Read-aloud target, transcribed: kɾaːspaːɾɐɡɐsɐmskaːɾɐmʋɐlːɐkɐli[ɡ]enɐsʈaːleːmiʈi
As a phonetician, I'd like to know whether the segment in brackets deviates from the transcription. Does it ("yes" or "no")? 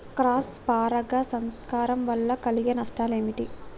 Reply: no